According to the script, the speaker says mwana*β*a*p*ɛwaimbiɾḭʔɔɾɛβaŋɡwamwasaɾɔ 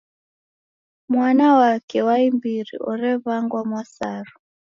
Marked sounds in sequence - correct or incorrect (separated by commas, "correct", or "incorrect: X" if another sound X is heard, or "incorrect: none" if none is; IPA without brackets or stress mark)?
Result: incorrect: w, incorrect: k